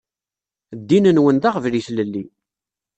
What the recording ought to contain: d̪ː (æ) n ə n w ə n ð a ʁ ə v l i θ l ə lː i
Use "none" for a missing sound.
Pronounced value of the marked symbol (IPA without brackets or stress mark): i